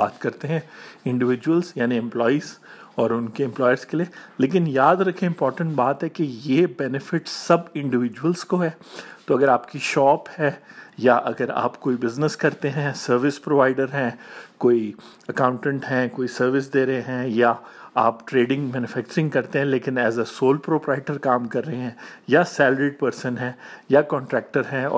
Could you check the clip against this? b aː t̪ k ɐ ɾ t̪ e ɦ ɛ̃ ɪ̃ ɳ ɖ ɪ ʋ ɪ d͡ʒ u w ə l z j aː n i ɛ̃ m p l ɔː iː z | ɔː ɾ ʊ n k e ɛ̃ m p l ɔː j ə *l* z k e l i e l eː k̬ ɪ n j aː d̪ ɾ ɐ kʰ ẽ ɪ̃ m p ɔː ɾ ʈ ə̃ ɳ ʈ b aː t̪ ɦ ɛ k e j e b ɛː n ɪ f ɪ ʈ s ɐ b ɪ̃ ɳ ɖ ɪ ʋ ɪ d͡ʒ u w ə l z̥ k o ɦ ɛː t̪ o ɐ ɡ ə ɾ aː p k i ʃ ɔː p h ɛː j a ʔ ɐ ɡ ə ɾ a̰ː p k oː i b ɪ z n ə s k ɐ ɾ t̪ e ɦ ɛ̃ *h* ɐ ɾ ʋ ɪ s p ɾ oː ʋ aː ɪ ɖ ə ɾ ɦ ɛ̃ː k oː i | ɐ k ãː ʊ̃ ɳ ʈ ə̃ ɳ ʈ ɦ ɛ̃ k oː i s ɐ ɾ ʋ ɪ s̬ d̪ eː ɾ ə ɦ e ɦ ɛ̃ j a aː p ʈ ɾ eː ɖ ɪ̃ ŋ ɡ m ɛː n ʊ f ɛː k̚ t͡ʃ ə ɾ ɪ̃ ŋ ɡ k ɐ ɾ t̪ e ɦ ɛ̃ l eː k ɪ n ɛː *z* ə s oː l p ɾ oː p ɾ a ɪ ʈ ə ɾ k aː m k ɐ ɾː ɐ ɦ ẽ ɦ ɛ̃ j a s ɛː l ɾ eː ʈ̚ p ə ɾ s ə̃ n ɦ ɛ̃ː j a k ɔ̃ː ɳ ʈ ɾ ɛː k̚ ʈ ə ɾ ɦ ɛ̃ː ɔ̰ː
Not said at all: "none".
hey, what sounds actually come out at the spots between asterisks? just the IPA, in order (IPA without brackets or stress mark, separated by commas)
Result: ɾ, s, z